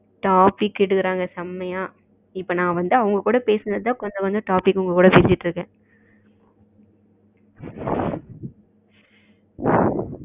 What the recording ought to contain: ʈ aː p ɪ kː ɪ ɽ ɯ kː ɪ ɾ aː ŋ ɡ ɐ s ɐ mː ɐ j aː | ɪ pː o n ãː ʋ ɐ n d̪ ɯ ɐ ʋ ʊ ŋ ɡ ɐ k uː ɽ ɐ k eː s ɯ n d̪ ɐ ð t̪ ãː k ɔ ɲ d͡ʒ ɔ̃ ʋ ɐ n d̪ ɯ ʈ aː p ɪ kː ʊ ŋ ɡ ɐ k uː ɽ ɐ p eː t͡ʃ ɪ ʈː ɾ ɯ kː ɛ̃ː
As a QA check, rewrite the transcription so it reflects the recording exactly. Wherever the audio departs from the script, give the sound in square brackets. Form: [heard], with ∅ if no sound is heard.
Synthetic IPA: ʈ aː p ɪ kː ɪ ɽ ɯ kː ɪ ɾ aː ŋ ɡ ɐ s ɐ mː ɐ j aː | ɪ pː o n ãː ʋ ɐ n d̪ ɯ ɐ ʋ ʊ ŋ ɡ ɐ k uː ɽ ɐ [p] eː s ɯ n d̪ ɐ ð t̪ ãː k ɔ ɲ d͡ʒ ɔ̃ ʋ ɐ n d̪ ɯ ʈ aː p ɪ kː ʊ ŋ ɡ ɐ k uː ɽ ɐ p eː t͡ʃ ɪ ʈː ɾ ɯ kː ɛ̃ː